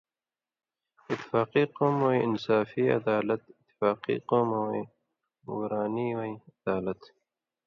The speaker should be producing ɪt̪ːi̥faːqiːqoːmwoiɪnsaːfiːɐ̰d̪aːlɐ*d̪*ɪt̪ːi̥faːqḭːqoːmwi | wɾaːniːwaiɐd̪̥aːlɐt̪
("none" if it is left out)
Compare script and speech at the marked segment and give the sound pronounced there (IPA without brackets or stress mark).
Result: t̪